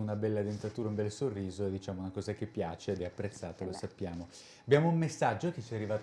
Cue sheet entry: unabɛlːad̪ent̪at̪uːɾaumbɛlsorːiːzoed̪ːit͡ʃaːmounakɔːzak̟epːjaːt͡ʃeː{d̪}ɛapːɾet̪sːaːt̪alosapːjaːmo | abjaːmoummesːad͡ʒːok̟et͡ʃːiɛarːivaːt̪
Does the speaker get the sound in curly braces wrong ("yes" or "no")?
no